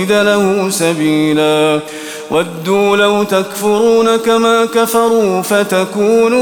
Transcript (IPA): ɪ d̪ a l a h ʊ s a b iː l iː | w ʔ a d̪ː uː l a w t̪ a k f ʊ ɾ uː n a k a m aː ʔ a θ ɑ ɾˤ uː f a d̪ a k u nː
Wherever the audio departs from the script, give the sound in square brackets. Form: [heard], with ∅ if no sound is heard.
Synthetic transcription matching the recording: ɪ d̪ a l a h ʊ s a b iː l [aː] | w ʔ a d̪ː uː l a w t̪ a k f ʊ ɾ uː n a k a m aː [k] a [f] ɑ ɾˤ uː f a [t̪] a k [uː] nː